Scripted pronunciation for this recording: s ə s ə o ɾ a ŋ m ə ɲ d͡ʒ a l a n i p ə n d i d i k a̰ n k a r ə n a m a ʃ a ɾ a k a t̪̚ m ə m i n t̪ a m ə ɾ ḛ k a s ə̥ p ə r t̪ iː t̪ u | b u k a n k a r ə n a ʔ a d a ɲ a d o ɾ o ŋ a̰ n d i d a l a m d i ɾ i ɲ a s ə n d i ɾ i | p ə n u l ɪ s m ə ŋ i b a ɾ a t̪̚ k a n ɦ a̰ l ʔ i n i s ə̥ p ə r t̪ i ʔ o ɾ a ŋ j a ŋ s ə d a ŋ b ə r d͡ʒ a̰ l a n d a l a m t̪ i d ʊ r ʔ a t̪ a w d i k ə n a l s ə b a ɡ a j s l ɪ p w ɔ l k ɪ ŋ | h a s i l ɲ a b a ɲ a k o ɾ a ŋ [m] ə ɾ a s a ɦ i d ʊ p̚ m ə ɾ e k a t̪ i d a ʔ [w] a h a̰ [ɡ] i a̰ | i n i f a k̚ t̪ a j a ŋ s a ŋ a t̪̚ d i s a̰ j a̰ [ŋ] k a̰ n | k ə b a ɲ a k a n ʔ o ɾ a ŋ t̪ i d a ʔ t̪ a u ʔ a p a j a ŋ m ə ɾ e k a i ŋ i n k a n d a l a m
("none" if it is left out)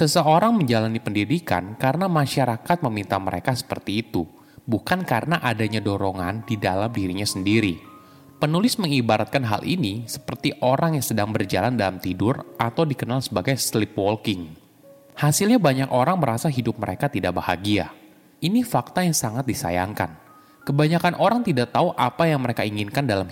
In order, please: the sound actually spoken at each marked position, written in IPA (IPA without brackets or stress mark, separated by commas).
m, b, ɡ, ŋ